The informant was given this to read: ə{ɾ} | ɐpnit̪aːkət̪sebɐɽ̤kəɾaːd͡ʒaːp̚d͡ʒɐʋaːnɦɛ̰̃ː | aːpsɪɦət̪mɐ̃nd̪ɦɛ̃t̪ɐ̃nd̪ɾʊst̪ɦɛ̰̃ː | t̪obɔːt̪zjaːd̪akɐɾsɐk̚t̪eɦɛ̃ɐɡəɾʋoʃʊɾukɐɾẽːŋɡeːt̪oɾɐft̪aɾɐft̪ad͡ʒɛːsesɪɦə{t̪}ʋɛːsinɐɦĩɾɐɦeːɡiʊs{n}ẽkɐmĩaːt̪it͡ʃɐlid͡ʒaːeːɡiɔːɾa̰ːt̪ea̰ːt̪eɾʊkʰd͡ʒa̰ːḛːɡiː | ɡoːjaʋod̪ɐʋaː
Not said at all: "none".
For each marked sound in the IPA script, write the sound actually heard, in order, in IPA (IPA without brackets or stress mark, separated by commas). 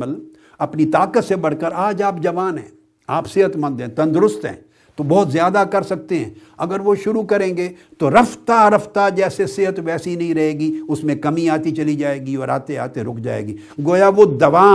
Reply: l, t̪, m